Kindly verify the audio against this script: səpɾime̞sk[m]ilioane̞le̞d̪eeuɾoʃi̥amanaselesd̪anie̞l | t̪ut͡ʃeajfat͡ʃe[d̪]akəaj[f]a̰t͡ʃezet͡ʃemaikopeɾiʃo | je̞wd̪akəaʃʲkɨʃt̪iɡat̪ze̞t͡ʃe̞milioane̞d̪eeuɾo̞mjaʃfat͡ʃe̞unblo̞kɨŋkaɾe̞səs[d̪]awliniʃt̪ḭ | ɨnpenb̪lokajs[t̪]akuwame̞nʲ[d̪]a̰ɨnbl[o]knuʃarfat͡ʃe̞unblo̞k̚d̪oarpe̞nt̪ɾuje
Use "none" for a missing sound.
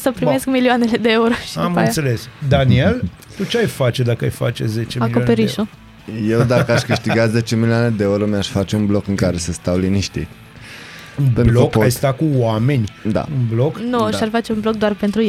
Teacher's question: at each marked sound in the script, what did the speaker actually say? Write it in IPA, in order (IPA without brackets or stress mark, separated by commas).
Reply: m, d̪, f, t̪, t̪, d̪, o